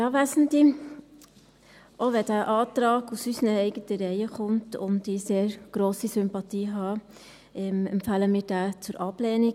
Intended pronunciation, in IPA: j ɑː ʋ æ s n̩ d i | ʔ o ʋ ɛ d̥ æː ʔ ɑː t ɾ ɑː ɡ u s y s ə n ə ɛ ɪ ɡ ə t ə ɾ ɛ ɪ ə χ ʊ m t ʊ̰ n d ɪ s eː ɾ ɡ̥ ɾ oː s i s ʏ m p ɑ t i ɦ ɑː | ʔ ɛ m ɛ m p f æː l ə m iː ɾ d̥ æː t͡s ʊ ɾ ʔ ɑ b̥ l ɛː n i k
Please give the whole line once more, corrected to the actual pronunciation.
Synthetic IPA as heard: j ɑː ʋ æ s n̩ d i | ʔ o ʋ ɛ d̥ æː ʔ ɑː t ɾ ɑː ɡ u s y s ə n ə ɛ ɪ ɡ ə t ə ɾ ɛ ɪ ə χ ʊ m t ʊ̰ n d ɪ s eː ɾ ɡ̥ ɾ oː s i s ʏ m p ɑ t iː ɦ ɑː | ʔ ɛ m ɛ m p f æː l ə m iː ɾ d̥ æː t͡s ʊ ɾ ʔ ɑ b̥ l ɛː n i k